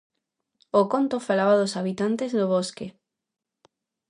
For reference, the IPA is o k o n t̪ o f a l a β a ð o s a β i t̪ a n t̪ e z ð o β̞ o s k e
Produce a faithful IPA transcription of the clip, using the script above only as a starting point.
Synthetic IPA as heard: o k o n t̪ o f a l a β a ð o s a β i t̪ a n t̪ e z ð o β̞ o s k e